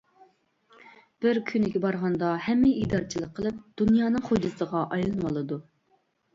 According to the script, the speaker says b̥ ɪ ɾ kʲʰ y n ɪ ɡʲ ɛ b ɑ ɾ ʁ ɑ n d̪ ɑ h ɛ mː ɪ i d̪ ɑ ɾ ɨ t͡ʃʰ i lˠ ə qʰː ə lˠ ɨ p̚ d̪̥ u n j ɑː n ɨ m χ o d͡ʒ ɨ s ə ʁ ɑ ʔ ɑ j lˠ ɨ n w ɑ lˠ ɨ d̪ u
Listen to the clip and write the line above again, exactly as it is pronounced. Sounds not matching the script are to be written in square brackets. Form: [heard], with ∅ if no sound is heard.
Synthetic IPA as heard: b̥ ɪ ɾ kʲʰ y n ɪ ɡʲ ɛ b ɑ ɾ ʁ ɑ n d̪ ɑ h ɛ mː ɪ i d̪ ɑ ɾ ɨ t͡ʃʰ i lˠ ə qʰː ə lˠ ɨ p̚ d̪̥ u n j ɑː n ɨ [ŋ] χ o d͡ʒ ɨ s ə ʁ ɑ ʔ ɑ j lˠ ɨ n w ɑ lˠ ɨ d̪ u